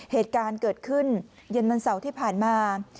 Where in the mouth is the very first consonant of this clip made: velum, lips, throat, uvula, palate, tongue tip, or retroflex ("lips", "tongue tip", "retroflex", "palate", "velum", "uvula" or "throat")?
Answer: throat